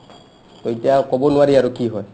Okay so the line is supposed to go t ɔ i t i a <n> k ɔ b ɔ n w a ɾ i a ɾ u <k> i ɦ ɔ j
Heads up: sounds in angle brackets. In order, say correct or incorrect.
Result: incorrect: none, correct

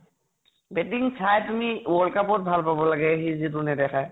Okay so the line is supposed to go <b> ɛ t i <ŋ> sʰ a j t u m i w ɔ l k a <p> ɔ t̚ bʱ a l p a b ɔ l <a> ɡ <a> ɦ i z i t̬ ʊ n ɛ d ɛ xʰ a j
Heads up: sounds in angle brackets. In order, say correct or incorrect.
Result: correct, correct, correct, correct, incorrect: ɛ

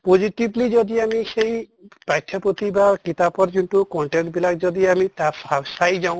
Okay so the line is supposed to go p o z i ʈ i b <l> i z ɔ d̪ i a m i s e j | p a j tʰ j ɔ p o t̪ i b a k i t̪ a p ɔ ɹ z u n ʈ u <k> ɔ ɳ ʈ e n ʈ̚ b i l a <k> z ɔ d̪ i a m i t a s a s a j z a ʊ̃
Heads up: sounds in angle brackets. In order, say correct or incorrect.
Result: correct, correct, correct

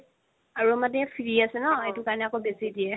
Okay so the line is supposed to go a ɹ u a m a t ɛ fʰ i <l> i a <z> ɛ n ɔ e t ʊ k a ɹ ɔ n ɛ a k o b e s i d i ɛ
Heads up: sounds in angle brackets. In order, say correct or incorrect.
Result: incorrect: ɹ, incorrect: s

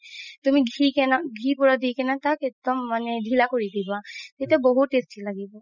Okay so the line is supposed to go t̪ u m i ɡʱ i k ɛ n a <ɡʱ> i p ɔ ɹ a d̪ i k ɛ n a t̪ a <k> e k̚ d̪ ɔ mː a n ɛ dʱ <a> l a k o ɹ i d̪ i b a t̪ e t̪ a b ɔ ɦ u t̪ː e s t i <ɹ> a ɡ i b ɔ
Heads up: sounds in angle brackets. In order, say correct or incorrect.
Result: correct, correct, incorrect: i, incorrect: l

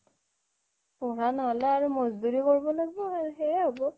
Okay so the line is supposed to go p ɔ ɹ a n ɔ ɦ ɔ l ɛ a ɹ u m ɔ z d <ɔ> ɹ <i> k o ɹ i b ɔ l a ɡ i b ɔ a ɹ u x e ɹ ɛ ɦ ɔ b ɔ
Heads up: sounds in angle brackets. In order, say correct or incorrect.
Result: incorrect: u, correct

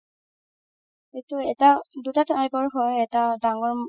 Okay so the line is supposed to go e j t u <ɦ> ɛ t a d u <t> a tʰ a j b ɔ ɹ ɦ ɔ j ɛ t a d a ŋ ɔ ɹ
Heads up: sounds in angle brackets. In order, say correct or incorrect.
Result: incorrect: none, correct

